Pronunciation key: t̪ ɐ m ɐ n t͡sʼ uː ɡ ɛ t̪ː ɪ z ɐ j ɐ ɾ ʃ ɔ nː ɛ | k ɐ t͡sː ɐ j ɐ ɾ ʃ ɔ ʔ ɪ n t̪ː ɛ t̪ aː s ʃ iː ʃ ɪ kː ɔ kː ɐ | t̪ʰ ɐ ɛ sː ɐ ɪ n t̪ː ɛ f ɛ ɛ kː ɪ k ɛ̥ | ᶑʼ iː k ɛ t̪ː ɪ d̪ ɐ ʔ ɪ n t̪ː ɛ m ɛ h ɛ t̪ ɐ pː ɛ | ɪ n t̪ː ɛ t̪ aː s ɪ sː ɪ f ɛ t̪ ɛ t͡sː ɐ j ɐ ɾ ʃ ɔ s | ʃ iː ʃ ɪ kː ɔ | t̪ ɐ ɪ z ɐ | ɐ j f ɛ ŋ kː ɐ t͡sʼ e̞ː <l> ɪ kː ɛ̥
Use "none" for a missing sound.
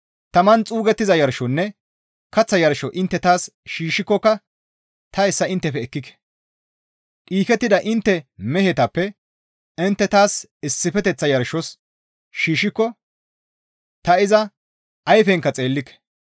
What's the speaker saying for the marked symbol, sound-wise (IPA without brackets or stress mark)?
lː